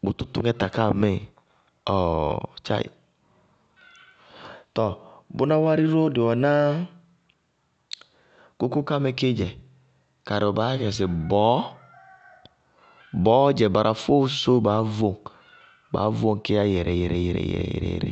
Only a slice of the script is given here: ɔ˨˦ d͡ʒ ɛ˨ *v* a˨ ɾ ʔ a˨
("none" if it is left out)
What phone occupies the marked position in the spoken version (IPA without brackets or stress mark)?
b